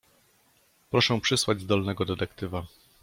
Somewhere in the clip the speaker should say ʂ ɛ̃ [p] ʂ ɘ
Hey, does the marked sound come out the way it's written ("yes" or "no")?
yes